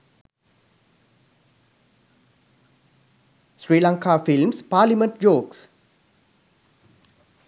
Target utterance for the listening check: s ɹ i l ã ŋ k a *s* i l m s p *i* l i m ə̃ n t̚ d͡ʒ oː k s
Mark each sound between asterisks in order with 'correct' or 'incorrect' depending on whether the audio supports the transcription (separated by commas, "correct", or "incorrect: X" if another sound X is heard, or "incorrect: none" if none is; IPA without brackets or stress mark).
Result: incorrect: f, incorrect: a